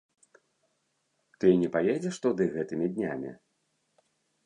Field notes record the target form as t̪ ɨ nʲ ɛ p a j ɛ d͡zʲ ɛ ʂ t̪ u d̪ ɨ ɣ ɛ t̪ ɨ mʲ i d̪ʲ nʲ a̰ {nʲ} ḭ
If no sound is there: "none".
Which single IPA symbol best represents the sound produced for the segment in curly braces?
mʲ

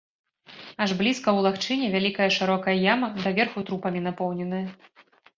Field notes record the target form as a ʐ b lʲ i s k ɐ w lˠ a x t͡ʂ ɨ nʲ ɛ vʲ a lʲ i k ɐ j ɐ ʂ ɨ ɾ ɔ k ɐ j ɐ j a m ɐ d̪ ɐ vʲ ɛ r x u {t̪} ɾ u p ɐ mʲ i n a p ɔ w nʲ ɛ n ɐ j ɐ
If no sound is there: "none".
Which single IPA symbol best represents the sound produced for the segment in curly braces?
t̪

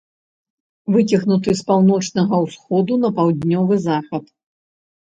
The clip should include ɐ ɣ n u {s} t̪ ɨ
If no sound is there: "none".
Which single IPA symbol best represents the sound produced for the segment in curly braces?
none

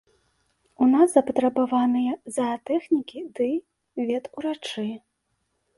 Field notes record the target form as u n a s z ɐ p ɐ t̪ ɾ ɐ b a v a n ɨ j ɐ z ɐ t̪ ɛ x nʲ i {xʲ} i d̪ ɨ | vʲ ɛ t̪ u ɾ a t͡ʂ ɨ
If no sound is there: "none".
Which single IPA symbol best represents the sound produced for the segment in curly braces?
kʲ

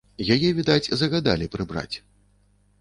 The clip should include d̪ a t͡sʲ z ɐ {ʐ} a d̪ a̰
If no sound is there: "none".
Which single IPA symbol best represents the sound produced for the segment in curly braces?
ɣ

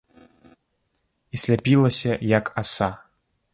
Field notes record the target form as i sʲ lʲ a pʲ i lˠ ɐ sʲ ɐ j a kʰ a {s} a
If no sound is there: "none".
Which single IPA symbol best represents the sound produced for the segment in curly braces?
s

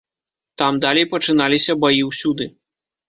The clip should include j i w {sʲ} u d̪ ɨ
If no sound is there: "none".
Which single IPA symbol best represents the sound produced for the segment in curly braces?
sʲ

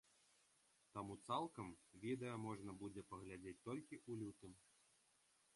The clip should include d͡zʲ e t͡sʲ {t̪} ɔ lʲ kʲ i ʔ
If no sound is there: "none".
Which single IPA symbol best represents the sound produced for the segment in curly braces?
t̪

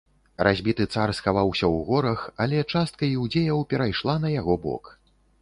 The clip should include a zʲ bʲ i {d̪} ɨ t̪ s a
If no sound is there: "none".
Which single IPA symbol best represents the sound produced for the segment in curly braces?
t̪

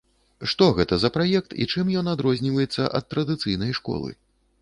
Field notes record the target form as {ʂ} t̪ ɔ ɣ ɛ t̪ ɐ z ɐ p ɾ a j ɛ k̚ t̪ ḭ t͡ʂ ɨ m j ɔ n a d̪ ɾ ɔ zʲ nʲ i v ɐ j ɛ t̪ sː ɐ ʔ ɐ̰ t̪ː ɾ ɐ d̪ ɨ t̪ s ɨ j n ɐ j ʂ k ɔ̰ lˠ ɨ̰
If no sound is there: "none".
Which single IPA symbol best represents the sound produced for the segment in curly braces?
ʂ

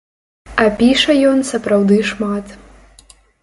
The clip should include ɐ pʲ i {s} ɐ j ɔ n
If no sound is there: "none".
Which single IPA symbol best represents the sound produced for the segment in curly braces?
ʂ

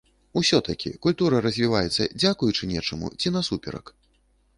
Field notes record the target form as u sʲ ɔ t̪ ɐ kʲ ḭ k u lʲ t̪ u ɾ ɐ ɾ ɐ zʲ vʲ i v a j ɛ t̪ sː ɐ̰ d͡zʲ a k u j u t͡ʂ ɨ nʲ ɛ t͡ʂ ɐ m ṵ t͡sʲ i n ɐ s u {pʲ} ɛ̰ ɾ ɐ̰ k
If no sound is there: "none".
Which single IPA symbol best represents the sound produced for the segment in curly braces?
pʲ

